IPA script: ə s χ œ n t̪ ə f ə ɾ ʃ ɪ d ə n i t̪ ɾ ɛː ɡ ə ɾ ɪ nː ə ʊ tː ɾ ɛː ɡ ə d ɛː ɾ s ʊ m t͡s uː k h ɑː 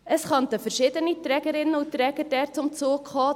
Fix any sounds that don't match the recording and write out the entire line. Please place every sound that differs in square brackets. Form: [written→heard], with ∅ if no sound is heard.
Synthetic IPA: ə s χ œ n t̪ ə f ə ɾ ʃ ɪ d ə n i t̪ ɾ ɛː ɡ ə ɾ ɪ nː ə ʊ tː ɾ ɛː ɡ ə d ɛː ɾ [s→t͡s] ʊ m t͡s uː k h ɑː